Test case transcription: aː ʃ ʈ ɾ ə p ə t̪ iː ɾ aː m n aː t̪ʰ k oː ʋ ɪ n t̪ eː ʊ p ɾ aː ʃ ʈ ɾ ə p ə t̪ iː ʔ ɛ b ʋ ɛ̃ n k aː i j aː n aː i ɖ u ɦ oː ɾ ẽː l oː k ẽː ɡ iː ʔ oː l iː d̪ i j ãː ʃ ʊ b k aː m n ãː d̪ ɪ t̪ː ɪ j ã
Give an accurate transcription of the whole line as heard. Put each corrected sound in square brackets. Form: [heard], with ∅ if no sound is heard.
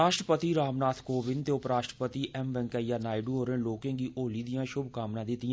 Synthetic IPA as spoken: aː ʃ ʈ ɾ ə p ə t̪ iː ɾ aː m n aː t̪ʰ k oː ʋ ɪ n t̪ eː ʊ p ɾ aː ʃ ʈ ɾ ə p ə t̪ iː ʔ ɛ [m] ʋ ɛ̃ [ŋ] k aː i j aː n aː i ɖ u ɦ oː ɾ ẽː l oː k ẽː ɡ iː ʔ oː l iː d̪ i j ãː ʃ ʊ b k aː m n ãː d̪ ɪ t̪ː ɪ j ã